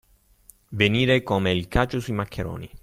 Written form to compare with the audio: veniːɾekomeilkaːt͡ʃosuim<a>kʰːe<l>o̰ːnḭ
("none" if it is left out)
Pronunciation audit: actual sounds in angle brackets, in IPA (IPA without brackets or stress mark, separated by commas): a, ɾ